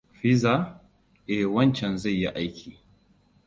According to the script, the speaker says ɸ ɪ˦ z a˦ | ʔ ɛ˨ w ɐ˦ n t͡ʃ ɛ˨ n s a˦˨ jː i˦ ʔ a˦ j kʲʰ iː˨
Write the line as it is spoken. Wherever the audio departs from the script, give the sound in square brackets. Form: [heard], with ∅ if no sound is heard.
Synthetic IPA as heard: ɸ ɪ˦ z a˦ | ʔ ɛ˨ w ɐ˦ n t͡ʃ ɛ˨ n [z] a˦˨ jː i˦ ʔ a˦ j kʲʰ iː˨